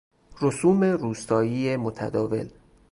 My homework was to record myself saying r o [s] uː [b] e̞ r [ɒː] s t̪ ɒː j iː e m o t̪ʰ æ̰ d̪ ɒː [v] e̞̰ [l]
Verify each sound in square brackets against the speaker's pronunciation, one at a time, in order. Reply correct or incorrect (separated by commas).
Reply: correct, incorrect, incorrect, correct, correct